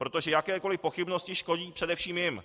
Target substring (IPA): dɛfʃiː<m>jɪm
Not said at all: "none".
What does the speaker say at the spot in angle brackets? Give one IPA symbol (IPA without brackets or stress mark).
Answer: m